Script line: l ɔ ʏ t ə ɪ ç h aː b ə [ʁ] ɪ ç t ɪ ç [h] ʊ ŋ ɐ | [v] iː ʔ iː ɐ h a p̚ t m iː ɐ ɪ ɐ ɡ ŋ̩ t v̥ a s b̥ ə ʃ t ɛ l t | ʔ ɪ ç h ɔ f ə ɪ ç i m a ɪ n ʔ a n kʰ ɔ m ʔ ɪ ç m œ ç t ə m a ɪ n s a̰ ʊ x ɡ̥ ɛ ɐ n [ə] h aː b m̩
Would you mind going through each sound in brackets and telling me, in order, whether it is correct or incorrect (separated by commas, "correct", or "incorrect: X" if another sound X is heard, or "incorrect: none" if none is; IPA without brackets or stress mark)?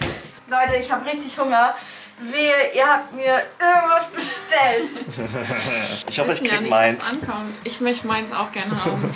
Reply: correct, correct, correct, correct